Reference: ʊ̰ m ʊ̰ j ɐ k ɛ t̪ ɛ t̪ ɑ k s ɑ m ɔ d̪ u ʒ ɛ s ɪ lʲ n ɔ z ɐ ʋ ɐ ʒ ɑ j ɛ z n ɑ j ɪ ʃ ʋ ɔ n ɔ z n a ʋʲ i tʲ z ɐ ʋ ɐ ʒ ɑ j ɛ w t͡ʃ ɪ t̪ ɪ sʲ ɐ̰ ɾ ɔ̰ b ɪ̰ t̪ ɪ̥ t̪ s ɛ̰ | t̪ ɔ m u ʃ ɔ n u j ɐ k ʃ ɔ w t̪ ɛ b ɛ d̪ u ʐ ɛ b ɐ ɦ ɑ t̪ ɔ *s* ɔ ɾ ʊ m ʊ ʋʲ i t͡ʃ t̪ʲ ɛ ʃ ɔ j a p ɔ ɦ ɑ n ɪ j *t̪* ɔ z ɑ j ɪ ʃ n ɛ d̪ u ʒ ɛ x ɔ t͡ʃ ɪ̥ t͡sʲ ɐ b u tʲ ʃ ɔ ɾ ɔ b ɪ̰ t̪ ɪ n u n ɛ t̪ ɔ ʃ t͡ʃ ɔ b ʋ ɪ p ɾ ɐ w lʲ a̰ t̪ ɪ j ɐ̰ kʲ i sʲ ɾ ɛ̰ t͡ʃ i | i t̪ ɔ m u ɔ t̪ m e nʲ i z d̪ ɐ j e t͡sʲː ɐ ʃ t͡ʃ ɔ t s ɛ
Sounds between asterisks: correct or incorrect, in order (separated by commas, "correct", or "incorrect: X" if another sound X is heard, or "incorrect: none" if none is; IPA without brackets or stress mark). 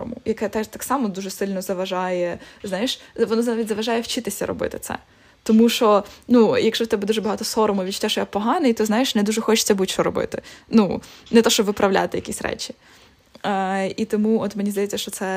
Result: correct, correct